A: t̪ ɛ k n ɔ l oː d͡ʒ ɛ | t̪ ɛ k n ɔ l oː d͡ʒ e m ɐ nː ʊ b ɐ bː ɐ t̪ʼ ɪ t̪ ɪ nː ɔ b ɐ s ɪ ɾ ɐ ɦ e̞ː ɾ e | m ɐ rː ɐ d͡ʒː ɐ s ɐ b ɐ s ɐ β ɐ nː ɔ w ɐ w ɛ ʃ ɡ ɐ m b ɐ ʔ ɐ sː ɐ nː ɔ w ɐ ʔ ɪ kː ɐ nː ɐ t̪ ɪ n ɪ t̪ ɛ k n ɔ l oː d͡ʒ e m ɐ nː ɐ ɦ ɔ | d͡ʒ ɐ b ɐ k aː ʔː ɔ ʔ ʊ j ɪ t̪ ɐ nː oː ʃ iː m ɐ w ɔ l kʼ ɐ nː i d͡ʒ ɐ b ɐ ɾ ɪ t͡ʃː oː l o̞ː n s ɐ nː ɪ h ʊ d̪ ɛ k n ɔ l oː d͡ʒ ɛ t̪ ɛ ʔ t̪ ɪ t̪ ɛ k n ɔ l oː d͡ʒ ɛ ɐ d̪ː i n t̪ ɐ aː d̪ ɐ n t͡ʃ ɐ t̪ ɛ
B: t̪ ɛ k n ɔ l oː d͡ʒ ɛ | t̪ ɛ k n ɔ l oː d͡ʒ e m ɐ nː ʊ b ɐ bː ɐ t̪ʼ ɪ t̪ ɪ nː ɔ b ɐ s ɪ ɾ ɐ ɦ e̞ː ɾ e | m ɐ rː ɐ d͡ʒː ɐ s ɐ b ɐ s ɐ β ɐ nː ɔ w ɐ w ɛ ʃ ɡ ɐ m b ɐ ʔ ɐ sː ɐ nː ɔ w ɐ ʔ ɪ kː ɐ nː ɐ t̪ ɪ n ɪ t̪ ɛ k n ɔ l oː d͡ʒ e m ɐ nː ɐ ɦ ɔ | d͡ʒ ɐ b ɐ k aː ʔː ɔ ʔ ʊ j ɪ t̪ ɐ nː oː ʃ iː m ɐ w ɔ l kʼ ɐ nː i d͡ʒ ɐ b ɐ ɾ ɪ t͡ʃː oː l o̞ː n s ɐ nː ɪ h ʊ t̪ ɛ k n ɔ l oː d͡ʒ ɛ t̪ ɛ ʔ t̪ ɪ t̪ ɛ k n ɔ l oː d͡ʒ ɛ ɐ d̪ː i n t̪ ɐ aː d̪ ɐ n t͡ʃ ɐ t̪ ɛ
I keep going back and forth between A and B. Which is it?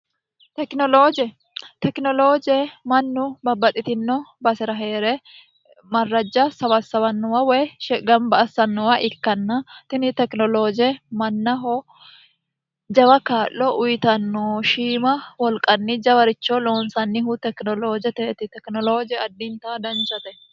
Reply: B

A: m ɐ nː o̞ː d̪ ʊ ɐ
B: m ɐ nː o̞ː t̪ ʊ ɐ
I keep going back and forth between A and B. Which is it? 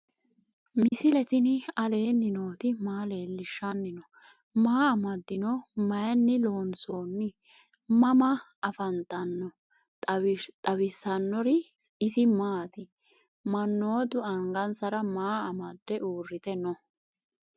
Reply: A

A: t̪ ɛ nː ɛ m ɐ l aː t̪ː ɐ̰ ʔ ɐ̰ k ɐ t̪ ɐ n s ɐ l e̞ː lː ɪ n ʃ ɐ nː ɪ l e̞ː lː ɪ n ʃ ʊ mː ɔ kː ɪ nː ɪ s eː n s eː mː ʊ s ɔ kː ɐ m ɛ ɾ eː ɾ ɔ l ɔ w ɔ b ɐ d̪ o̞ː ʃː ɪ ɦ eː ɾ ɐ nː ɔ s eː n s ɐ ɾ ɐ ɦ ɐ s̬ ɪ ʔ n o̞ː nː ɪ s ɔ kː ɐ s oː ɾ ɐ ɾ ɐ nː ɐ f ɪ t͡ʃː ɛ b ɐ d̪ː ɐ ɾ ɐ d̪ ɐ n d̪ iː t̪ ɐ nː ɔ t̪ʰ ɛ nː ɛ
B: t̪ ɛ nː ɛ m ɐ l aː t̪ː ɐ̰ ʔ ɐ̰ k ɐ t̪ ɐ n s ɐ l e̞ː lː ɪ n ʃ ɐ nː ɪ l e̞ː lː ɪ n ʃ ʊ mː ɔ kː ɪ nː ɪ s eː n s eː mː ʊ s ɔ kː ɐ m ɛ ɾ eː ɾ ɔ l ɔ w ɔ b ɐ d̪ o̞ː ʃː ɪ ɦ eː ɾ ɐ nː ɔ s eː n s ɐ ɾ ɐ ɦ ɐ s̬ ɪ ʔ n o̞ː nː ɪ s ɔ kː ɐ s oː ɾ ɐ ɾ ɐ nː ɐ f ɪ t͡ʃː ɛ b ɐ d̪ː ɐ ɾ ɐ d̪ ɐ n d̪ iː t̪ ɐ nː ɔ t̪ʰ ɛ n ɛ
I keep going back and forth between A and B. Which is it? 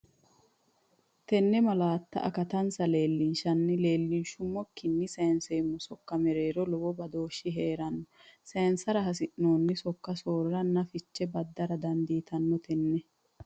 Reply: A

